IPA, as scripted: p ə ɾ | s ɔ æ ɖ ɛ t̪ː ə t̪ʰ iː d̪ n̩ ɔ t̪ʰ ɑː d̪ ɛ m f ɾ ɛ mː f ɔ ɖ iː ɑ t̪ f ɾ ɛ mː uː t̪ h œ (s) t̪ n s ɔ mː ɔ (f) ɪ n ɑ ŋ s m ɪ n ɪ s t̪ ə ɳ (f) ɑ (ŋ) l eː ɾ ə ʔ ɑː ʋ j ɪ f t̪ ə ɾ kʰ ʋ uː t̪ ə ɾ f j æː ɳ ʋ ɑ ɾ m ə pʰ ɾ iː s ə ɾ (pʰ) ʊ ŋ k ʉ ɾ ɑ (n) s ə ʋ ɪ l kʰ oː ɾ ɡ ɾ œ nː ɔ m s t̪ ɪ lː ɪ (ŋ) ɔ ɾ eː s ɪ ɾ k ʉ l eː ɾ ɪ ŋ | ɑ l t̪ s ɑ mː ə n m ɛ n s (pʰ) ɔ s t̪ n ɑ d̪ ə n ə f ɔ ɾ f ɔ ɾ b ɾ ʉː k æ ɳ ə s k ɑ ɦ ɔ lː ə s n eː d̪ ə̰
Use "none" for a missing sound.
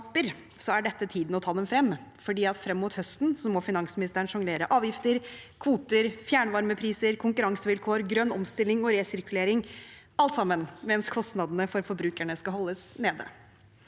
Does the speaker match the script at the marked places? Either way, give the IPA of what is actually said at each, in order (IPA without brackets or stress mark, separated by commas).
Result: s, f, ʂ, ŋ, kʰ, ŋ, ŋ, kʰ